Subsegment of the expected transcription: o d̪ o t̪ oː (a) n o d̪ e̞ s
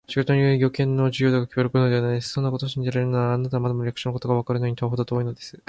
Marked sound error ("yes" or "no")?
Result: yes